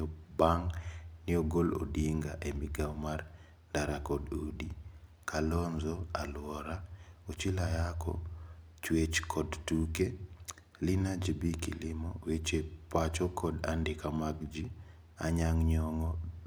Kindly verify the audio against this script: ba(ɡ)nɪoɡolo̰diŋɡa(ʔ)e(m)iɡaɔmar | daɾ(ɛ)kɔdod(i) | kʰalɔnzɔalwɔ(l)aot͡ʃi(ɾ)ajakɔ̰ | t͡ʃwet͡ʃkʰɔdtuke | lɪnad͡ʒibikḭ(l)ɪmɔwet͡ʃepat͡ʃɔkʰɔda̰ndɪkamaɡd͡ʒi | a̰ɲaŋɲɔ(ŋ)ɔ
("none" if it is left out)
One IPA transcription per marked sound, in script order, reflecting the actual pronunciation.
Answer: ŋ, ʔ, m, a, i, ɾ, l, l, ŋ

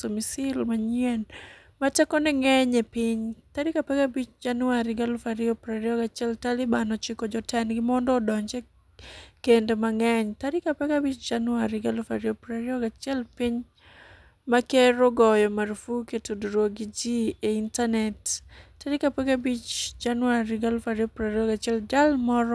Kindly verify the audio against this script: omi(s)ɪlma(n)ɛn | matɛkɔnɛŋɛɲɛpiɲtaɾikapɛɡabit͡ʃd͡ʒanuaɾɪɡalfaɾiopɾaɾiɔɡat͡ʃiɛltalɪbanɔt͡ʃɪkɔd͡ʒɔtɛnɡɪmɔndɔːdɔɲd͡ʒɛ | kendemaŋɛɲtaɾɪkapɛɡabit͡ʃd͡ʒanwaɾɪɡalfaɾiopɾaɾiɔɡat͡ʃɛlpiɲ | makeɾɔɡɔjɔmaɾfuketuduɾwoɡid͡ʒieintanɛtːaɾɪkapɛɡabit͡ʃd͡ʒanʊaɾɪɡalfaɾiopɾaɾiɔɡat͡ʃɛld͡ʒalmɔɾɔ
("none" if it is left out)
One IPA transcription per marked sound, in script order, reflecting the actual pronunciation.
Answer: s, ɲ

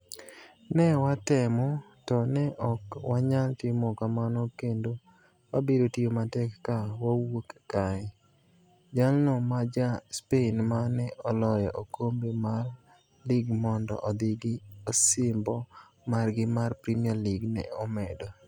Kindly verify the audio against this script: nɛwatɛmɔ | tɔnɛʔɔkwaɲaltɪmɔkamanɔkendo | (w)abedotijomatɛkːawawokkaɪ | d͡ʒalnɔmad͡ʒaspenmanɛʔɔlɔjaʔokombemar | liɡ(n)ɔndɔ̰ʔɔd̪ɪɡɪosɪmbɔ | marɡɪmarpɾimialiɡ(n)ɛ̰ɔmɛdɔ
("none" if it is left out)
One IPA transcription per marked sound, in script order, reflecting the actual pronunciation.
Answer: w, m, n

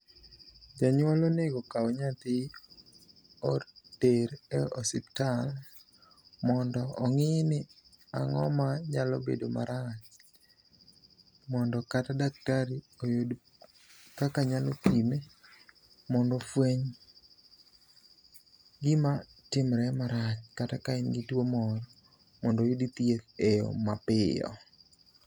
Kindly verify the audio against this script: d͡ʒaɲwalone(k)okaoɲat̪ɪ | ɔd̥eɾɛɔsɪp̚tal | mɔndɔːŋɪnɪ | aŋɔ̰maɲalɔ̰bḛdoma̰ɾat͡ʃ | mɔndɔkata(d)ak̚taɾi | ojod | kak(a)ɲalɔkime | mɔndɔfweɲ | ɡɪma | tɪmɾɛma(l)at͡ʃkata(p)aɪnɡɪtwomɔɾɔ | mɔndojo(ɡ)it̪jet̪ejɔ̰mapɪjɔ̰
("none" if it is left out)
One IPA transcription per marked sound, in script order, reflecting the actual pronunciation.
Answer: ɡ, d, a, ɾ, k, d

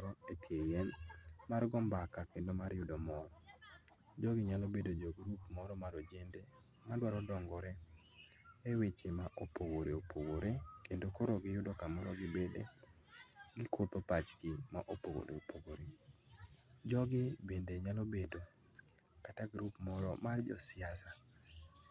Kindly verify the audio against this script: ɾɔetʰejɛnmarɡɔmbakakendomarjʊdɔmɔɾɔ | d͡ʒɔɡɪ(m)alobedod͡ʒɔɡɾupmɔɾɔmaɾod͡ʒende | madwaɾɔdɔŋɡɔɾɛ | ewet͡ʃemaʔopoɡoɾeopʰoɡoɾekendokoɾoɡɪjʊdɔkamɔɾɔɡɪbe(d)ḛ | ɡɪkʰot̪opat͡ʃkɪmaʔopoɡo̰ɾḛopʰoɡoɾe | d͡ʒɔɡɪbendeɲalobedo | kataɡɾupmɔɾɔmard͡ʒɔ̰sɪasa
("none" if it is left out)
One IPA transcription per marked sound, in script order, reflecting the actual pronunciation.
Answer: ɲ, d

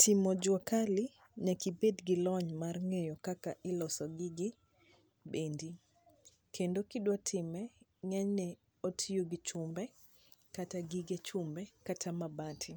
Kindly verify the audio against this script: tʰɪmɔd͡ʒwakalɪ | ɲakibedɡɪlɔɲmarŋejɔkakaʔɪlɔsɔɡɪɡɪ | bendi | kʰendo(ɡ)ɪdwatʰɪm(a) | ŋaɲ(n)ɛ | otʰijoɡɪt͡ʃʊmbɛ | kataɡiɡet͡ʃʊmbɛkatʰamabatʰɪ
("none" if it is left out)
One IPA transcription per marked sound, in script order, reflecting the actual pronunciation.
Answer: k, ɛ, n

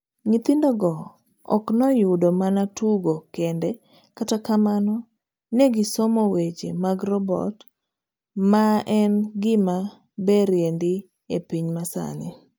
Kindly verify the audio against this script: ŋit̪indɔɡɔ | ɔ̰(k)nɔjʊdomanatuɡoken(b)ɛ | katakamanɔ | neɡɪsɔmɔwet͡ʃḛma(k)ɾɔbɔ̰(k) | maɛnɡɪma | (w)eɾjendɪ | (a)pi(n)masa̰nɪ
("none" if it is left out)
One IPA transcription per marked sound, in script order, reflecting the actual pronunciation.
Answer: k, d, ɡ, t, b, e, ɲ

